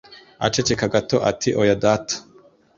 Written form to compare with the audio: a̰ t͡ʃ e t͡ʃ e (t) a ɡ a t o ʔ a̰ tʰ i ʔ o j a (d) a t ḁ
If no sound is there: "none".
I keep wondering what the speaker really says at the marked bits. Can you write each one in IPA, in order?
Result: k, d

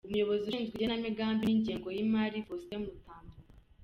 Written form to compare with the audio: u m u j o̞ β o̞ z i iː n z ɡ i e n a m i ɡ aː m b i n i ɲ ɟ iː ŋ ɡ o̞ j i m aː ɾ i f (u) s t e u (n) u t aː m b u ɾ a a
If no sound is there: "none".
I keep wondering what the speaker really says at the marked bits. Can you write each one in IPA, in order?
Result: o, m

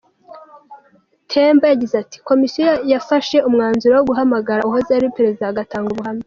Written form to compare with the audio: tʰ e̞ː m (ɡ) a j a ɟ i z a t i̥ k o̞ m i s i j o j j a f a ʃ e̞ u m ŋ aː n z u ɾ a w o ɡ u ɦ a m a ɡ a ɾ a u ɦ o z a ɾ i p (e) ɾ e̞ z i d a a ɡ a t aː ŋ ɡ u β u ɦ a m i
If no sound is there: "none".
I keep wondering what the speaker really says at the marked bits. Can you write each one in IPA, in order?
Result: b, e

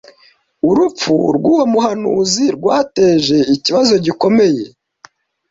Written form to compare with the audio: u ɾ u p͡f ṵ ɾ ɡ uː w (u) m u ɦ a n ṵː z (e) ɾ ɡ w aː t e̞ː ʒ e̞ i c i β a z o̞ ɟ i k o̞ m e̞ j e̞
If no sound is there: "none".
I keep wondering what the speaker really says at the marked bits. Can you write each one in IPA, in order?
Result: o, i

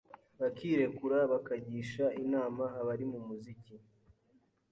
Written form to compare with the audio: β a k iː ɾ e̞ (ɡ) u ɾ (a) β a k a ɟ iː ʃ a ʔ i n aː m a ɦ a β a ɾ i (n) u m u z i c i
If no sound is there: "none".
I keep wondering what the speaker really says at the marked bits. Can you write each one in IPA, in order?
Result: k, a, m

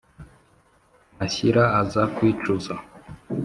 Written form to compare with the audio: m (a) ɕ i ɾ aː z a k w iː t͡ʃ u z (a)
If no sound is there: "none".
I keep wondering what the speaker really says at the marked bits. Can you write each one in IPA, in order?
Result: a, a

